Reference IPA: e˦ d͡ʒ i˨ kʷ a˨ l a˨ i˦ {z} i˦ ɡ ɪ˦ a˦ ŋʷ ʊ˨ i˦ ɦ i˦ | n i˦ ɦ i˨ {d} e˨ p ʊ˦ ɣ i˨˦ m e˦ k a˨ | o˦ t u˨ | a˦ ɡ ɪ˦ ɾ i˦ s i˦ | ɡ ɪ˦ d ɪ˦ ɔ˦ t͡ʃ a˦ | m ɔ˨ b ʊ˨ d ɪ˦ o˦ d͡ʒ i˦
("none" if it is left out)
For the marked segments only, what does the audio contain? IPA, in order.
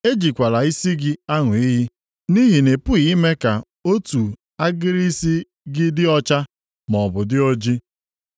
s, n

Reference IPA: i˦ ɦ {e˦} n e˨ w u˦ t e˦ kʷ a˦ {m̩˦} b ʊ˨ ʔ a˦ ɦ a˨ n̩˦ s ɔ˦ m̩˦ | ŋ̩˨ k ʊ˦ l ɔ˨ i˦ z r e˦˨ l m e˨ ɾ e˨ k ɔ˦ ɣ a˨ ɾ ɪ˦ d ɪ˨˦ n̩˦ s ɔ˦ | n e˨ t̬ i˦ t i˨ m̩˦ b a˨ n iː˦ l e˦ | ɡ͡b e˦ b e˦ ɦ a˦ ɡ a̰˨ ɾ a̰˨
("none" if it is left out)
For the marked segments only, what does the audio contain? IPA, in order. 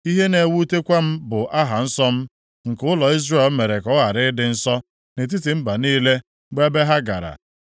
e˦, m̩˦

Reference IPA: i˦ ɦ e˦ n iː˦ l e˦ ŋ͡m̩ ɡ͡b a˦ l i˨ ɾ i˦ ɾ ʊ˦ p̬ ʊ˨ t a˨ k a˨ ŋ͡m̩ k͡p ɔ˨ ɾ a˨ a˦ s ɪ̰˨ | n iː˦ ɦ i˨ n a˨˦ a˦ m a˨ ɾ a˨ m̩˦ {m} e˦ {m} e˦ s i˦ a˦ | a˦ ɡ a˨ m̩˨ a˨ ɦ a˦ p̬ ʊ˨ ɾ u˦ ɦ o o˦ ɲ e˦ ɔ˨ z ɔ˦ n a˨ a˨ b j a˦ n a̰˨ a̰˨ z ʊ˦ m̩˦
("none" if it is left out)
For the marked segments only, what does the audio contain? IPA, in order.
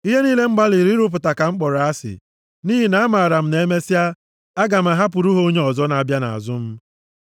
n, m

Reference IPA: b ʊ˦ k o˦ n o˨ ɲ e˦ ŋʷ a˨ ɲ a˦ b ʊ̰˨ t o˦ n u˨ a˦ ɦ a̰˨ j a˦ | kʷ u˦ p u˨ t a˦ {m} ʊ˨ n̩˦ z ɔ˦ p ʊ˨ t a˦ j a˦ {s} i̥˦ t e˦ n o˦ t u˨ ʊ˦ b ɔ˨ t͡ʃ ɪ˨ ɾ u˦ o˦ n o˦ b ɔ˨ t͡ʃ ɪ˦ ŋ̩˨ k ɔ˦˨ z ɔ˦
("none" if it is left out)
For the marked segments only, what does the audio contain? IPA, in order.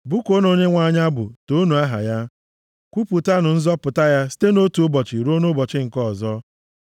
n, s

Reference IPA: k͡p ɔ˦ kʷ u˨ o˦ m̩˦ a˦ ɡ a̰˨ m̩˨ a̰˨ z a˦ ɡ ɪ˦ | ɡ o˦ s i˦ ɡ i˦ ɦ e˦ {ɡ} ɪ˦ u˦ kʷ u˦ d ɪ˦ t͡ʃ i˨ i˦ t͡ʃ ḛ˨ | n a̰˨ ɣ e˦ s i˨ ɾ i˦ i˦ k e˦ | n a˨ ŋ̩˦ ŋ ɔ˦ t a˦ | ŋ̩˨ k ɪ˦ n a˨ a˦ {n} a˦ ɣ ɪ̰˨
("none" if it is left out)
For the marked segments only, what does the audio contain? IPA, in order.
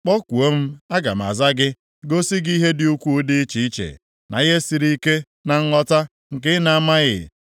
d, m

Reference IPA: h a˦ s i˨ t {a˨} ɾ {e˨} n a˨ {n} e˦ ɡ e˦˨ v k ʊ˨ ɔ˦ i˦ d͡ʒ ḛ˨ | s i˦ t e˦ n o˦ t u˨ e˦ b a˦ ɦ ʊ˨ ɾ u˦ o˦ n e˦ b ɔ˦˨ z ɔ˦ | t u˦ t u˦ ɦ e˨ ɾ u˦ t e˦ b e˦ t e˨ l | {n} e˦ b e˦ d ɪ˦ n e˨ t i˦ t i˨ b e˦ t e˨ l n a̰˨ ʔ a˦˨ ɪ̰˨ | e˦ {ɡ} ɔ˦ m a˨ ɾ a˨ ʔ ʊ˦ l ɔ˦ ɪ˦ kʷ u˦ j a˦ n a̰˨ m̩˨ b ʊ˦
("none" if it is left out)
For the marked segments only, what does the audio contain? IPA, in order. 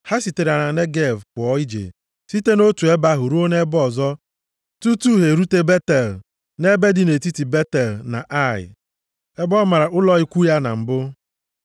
e˨, a˨, n, n, b

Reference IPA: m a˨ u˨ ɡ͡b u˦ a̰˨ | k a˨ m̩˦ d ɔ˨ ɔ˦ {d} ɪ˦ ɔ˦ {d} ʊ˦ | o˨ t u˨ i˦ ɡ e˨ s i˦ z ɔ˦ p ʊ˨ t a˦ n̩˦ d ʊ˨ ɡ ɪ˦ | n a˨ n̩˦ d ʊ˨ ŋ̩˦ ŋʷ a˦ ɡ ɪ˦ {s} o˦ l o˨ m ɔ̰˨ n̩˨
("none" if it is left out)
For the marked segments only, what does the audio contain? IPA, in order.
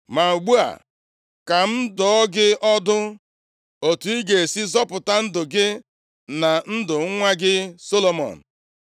ɡ, d, s

